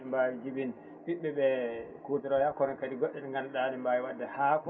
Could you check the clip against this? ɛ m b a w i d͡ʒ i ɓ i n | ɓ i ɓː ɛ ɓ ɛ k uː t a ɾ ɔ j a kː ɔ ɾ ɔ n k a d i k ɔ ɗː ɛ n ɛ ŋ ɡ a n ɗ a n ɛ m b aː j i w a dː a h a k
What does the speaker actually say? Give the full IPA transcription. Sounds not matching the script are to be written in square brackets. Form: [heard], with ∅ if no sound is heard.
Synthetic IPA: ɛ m b a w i d͡ʒ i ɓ i n | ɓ i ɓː ɛ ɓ ɛ k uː t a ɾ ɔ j a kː ɔ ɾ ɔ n k a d i [ɡ] ɔ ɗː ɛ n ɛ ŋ ɡ a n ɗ a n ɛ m b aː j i w a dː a h a k